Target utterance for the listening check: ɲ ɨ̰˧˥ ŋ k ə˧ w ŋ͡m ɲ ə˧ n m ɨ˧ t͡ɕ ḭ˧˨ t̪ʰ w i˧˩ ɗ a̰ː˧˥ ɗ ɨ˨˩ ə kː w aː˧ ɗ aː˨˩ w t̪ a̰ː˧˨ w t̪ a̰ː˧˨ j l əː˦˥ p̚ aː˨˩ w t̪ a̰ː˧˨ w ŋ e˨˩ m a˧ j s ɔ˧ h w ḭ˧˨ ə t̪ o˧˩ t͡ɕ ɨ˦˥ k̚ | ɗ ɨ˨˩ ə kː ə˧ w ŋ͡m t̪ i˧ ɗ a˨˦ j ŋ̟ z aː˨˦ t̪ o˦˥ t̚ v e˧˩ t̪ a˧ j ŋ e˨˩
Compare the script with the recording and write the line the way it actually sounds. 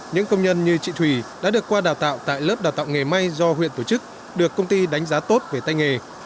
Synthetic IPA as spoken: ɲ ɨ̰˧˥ ŋ k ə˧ w ŋ͡m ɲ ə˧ n ɲ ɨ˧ t͡ɕ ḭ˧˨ t̪ʰ w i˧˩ ɗ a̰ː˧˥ ɗ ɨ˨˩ ə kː w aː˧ ɗ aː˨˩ w t̪ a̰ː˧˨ w t̪ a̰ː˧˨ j l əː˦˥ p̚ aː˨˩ w t̪ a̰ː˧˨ w ŋ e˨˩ m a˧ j z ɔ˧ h w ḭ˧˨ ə t̪ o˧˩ t͡ɕ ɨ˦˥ k̚ | ɗ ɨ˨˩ ə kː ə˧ w ŋ͡m t̪ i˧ ɗ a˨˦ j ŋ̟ z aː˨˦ t̪ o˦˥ t̚ v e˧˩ t̪ a˧ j ŋ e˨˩

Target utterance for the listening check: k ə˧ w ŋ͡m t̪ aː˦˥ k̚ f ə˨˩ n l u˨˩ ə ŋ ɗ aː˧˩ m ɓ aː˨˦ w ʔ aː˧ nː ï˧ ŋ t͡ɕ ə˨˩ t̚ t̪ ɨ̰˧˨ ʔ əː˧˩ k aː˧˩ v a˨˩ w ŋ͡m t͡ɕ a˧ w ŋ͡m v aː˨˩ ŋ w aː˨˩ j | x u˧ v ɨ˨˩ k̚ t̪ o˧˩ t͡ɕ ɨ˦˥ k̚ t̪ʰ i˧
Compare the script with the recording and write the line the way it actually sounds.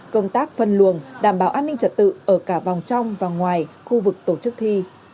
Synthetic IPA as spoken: k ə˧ w ŋ͡m t̪ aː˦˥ k̚ f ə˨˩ n l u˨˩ ə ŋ ɗ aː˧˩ m ɓ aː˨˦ w ʔ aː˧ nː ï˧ ŋ t͡ɕ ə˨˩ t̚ t̪ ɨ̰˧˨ ʔ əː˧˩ k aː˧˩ v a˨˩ w ŋ͡m t͡ɕ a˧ w ŋ͡m v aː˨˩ ŋ w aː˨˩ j | x u˧ v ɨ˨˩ k̚ t̪ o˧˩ t͡ɕ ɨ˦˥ k̚ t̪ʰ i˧

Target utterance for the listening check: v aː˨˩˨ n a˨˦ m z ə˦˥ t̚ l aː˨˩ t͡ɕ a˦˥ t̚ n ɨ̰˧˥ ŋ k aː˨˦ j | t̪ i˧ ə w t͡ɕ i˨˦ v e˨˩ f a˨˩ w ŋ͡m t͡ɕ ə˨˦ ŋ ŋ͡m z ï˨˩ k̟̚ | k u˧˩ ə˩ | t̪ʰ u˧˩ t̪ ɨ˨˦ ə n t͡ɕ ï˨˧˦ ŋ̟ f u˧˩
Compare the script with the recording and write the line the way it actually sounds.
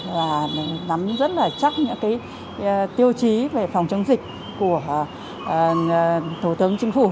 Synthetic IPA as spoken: v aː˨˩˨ n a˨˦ m z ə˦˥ t̚ l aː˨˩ t͡ɕ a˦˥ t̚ ɲ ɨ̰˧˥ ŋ k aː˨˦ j | t̪ i˧ ə w t͡ɕ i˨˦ v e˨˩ f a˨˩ w ŋ͡m t͡ɕ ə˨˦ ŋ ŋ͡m z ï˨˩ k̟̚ | k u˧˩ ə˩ | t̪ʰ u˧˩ t̪ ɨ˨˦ ə ŋ t͡ɕ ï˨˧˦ ŋ̟ f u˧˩

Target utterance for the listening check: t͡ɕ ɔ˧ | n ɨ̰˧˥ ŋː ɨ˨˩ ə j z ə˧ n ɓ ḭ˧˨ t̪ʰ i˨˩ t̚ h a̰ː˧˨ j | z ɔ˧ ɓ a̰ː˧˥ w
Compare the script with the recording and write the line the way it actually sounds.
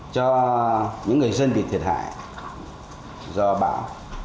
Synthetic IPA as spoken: t͡ɕ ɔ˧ | ɲ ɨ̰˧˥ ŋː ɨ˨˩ ə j z ə˧ n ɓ ḭ˧˨ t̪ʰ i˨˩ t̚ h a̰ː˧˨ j | z ɔ˧ ɓ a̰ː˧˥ w

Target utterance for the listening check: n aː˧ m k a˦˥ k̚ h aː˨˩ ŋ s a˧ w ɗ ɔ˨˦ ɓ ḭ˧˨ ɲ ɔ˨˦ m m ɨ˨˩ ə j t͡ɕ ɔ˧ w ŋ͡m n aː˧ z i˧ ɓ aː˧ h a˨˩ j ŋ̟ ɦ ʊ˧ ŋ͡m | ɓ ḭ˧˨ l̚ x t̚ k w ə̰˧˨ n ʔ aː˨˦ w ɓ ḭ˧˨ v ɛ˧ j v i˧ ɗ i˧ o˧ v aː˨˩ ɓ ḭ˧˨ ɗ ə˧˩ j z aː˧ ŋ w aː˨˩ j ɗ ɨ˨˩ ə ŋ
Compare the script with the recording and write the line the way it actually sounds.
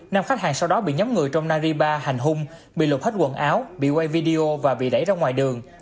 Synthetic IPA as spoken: n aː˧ m x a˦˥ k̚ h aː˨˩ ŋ s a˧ w ɗ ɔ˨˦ ɓ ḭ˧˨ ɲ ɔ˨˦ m ŋ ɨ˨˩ ə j t͡ɕ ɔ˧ w ŋ͡m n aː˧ z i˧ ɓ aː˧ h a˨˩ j ŋ̟ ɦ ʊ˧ ŋ͡m | ɓ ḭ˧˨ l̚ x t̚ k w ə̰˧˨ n ʔ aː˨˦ w ɓ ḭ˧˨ w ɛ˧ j v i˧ ɗ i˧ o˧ v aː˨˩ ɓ ḭ˧˨ ɗ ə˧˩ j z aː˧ ŋ w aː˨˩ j ɗ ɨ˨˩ ə ŋ

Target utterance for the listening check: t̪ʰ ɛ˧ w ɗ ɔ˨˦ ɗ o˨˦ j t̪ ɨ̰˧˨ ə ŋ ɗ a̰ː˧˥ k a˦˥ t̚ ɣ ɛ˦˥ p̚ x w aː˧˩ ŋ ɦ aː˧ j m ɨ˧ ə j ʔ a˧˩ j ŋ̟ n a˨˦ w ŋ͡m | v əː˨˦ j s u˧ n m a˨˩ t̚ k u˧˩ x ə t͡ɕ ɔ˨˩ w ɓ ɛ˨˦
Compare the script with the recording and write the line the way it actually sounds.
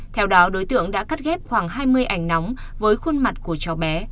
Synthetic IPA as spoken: t̪ʰ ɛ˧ w ɗ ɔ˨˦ ɗ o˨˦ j t̪ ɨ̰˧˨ ə ŋ ɗ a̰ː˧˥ k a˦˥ t̚ ɣ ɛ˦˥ p̚ x w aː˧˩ ŋ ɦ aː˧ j m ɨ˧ ə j ʔ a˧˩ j ŋ̟ n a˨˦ w ŋ͡m | v əː˨˦ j x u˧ n m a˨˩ t̚ k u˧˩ ə t͡ɕ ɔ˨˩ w ɓ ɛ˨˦

